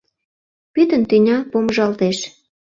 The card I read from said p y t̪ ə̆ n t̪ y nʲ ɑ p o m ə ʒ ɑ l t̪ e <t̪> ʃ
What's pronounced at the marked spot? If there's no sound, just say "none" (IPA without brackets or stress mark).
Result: none